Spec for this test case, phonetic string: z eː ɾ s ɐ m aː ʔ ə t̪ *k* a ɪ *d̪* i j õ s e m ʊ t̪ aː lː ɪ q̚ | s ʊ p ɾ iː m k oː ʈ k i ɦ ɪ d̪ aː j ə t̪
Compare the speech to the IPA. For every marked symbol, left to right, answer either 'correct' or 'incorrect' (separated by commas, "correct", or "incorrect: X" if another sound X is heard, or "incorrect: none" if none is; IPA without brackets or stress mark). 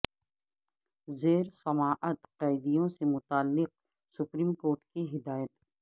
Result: incorrect: q, correct